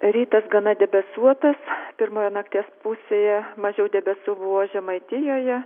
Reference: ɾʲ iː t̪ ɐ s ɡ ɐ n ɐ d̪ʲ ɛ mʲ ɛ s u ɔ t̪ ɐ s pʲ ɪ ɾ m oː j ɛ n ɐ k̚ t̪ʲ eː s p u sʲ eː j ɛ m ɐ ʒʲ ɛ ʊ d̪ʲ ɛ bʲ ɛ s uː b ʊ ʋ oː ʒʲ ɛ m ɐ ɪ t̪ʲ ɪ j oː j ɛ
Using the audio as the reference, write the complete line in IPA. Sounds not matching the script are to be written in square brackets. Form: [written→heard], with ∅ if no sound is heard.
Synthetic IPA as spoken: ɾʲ iː t̪ ɐ s ɡ ɐ n ɐ d̪ʲ ɛ [mʲ→bʲ] ɛ s u ɔ t̪ ɐ s pʲ ɪ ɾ m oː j ɛ n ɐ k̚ t̪ʲ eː s p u sʲ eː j ɛ m ɐ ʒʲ ɛ ʊ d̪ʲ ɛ bʲ ɛ s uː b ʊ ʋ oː ʒʲ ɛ m ɐ ɪ t̪ʲ ɪ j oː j ɛ